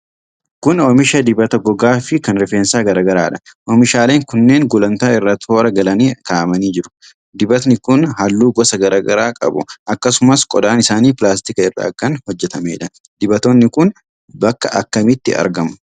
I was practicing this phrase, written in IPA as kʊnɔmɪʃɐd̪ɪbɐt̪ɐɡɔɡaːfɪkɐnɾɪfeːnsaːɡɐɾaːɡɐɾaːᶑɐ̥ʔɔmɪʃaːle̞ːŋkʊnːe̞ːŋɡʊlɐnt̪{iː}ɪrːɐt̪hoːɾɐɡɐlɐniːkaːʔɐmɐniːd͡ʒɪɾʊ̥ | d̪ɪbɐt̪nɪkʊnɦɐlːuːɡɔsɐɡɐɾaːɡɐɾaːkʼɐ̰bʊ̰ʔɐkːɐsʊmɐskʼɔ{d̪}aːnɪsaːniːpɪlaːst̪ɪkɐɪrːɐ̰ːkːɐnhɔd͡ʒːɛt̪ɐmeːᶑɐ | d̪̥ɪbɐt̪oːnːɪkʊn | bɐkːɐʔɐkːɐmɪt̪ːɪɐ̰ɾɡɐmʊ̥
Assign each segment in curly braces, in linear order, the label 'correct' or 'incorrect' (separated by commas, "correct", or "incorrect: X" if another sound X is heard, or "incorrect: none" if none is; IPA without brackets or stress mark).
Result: incorrect: aː, correct